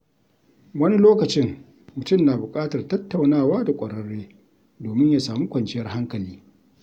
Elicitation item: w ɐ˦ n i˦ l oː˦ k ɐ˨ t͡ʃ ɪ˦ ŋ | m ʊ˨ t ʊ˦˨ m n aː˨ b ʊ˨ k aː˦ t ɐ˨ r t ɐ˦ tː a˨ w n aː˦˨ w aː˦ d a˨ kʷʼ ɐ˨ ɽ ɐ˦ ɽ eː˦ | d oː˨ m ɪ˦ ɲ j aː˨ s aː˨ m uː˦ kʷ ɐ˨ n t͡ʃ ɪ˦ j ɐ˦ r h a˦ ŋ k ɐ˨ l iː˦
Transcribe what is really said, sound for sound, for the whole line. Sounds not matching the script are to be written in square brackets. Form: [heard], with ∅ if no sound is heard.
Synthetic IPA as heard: w ɐ˦ n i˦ l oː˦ k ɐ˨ t͡ʃ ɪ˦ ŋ | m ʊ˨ t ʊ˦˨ m n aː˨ b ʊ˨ [kʼ] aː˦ t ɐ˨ r t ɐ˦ tː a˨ w n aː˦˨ w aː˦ d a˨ kʷʼ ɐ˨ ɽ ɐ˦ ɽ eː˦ | d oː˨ m ɪ˦ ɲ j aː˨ s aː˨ m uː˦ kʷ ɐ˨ n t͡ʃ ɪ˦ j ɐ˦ r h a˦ ŋ k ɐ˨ l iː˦